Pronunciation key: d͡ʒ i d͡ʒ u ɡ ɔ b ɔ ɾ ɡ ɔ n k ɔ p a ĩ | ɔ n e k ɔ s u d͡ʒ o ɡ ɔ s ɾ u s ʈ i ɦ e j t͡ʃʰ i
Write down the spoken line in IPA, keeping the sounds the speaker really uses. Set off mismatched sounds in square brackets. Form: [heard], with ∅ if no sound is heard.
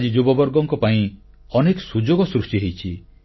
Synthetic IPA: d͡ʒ i d͡ʒ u [b] ɔ b ɔ ɾ ɡ ɔ [ŋ] k ɔ p a ĩ | ɔ n e k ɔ s u d͡ʒ o ɡ ɔ s ɾ u s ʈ i ɦ e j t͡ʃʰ i